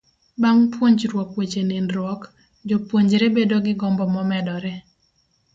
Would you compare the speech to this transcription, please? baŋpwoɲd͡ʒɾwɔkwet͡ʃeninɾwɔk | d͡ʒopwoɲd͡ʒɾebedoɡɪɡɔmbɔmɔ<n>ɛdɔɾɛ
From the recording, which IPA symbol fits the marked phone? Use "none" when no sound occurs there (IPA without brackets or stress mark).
m